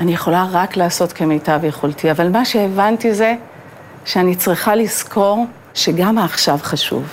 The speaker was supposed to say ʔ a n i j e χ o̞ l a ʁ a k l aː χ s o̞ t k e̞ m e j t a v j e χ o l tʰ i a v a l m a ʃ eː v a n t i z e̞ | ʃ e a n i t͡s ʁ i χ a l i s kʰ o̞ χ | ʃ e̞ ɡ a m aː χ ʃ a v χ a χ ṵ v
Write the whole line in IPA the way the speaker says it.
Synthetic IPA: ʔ a n i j e χ o̞ l a ʁ a k l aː s o̞ t k e̞ m e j t a v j e χ o l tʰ i a v a l m a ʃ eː v a n t i z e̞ | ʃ e a n i t͡s ʁ i χ a l i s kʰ o̞ ʁ | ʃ e̞ ɡ a m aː χ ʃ a v χ a ʃ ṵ v